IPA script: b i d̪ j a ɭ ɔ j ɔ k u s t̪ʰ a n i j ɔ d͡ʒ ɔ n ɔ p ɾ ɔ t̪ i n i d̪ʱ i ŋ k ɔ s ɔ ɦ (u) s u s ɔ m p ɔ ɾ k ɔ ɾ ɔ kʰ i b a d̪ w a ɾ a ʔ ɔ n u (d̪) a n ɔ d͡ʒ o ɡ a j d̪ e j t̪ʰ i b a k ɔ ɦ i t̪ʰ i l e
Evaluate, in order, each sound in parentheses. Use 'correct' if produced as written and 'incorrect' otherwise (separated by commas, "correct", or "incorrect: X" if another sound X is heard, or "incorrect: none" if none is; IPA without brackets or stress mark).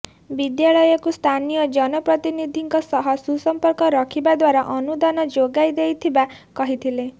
incorrect: ɔ, correct